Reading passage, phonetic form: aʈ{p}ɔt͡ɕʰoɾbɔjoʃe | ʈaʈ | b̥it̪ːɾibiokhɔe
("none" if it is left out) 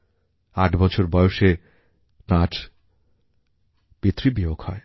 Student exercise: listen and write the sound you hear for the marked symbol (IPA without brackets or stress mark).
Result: b